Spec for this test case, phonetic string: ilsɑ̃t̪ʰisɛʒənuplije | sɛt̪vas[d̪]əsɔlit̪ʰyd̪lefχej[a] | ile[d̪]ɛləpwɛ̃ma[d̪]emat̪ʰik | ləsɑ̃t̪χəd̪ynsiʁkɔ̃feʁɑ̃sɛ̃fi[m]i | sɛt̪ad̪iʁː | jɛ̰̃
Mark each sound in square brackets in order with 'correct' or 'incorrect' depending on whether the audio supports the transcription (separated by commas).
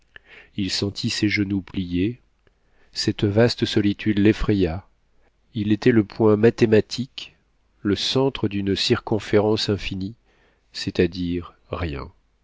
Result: incorrect, correct, incorrect, incorrect, incorrect